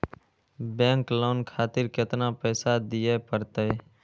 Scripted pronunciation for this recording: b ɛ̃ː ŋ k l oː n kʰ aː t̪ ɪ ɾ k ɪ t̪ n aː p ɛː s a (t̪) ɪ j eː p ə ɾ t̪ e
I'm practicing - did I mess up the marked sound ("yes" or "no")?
yes